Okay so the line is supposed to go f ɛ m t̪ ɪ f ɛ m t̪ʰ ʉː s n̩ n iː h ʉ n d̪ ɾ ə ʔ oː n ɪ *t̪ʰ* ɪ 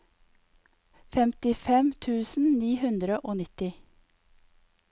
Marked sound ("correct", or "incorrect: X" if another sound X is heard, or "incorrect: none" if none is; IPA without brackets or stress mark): incorrect: t̪